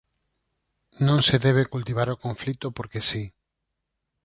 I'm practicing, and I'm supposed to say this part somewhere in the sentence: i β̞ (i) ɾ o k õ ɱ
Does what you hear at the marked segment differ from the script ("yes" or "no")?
yes